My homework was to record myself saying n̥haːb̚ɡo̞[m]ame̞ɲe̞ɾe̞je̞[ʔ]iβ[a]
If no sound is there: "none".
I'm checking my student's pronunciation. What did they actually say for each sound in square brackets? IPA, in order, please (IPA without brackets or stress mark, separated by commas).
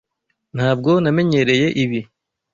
n, ʔ, i